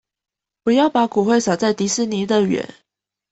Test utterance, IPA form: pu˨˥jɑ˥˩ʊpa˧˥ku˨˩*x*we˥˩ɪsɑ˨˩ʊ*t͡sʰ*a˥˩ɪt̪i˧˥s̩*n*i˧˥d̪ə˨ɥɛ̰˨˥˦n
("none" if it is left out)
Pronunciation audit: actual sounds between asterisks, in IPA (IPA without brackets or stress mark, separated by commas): x, t͡s, n